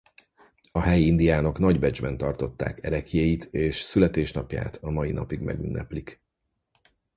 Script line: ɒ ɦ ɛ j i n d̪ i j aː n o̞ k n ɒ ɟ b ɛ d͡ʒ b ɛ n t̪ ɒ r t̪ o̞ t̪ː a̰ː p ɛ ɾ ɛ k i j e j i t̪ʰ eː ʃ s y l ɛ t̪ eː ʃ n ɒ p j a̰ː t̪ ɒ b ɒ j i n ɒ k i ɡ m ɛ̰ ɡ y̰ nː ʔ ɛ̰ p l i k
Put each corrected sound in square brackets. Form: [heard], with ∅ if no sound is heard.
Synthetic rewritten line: ɒ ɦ ɛ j i n d̪ i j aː n o̞ k n ɒ ɟ b ɛ d͡ʒ b ɛ n t̪ ɒ r t̪ o̞ t̪ː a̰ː [k] ɛ ɾ ɛ k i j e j i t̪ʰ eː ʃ s y l ɛ t̪ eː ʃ n ɒ p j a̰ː t̪ ɒ [m] ɒ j i n ɒ [p] i ɡ m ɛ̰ ɡ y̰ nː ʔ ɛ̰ p l i k